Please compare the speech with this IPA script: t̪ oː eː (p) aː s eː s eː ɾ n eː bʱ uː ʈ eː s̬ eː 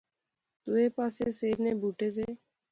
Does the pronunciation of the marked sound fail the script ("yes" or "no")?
no